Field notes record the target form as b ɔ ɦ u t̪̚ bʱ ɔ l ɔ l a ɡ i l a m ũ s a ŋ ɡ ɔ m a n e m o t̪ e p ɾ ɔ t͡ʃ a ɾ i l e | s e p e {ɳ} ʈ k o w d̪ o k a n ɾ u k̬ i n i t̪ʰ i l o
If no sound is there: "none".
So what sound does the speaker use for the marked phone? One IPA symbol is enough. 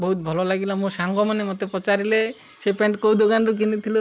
ɳ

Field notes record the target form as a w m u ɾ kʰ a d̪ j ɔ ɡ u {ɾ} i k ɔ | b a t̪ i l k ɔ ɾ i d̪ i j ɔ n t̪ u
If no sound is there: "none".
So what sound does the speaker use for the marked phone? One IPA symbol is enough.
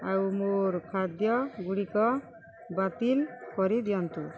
ɽ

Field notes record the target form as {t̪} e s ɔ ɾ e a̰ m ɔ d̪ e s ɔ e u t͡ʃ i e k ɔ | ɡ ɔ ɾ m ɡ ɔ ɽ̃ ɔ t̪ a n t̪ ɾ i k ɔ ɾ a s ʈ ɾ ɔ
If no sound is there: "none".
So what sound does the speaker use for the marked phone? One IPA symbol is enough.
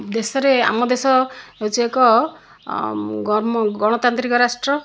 d̪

